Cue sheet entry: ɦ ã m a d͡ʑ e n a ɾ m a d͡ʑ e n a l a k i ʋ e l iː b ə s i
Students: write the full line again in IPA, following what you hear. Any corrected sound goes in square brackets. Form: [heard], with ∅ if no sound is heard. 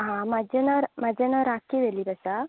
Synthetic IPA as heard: ɦ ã m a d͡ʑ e n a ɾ m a d͡ʑ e n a [ɾ] a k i ʋ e l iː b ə s [a]